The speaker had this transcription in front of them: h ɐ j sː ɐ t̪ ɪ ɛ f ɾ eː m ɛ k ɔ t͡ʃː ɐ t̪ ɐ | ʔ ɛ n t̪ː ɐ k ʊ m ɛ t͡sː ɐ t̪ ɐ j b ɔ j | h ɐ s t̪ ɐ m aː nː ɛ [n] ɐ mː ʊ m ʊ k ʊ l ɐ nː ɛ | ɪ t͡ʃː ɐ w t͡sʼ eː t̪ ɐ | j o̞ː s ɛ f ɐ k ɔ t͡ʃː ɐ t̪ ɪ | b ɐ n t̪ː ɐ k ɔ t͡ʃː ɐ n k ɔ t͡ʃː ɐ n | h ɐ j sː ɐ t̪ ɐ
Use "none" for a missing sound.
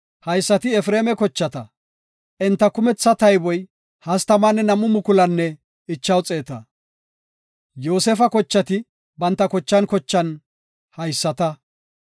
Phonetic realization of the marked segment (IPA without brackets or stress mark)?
n